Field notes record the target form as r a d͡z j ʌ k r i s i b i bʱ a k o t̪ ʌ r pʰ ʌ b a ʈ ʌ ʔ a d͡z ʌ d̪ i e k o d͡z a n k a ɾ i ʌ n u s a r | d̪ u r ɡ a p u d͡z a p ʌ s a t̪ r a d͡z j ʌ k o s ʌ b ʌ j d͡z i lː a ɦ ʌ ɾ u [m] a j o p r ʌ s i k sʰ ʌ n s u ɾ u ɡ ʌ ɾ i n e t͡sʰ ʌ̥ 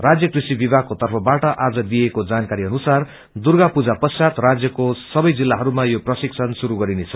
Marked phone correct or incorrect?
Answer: correct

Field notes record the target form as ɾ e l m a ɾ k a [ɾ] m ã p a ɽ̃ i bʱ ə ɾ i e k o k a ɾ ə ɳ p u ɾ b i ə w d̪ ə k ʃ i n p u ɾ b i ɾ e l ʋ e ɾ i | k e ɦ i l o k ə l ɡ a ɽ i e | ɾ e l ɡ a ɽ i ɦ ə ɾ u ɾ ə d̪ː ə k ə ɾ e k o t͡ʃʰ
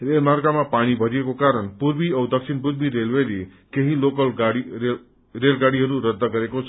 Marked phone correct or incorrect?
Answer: incorrect: none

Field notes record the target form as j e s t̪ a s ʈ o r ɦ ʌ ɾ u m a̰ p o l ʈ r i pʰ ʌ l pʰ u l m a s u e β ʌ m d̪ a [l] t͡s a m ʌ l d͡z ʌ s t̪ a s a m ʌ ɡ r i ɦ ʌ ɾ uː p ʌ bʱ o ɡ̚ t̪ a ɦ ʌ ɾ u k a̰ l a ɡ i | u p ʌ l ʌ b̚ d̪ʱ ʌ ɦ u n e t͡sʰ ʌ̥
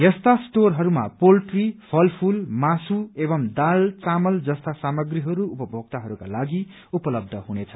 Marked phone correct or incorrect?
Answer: correct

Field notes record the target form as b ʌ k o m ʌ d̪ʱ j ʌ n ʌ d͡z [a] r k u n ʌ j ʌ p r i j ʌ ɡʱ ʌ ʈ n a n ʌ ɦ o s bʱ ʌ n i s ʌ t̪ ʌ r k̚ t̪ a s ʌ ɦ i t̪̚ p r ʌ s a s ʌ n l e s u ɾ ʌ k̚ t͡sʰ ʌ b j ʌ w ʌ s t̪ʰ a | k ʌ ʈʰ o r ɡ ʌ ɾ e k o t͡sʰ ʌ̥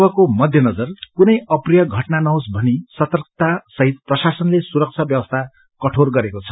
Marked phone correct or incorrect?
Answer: incorrect: ʌ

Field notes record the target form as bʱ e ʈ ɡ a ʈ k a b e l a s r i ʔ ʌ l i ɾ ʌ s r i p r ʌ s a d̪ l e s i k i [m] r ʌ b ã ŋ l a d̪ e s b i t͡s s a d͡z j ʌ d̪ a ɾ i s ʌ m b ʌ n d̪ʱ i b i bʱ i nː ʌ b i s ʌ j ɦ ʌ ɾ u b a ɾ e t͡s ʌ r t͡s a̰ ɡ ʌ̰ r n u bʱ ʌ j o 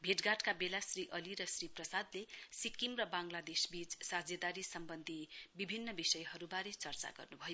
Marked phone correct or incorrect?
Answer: correct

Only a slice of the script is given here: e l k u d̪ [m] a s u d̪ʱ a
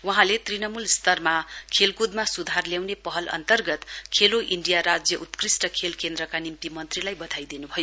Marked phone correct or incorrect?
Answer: correct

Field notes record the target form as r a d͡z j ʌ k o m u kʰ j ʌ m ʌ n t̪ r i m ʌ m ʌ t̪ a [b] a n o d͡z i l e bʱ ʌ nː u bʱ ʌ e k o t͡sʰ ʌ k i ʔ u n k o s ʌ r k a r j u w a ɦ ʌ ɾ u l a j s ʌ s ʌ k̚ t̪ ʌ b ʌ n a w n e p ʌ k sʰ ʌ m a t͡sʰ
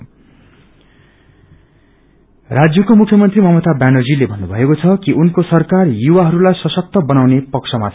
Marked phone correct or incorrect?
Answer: correct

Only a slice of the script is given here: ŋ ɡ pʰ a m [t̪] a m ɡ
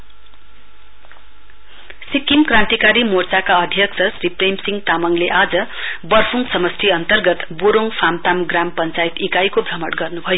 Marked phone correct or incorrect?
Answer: correct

